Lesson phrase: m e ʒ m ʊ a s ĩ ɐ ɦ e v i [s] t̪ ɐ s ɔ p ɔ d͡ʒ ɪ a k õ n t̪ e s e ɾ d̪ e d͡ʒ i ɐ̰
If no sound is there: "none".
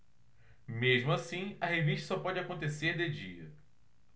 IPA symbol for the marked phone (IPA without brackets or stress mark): ʃ